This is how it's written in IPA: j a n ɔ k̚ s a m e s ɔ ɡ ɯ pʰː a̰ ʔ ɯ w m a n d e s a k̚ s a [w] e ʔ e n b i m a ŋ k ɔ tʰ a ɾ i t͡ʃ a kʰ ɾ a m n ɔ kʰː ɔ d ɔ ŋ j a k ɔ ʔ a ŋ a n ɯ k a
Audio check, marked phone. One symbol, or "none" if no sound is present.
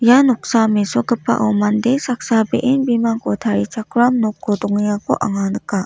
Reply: b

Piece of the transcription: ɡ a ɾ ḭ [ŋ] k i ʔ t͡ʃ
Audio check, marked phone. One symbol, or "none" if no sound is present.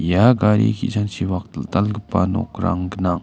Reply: none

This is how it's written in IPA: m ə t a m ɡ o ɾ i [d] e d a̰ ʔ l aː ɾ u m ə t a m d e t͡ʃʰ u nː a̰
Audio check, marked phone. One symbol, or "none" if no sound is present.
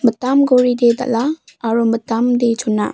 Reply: d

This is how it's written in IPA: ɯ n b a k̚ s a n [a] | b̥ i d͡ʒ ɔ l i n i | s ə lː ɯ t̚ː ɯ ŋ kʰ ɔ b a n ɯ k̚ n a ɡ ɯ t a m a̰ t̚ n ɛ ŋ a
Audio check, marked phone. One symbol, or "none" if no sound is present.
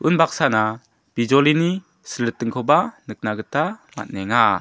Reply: a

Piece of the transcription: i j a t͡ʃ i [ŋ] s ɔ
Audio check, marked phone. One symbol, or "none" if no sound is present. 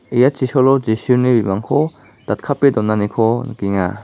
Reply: none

